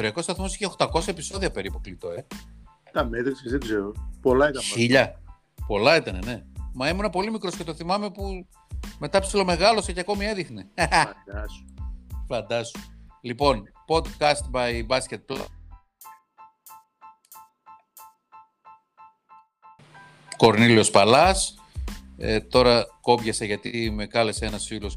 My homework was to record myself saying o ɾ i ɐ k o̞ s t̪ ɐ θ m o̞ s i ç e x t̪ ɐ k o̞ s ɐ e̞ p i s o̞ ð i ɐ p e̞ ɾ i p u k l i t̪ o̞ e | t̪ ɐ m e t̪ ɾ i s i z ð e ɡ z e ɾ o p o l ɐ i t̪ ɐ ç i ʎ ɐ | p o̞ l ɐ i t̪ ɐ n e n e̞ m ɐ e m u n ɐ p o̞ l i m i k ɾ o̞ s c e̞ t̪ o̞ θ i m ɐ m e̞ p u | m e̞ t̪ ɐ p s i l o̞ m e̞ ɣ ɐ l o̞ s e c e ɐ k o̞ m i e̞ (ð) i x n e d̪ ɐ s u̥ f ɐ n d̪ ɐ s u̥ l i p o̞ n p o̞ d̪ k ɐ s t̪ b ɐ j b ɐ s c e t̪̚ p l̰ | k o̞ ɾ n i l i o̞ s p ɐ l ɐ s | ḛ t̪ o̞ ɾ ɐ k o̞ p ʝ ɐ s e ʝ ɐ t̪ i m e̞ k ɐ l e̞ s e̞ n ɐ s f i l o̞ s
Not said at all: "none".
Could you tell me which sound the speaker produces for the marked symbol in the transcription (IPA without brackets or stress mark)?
ð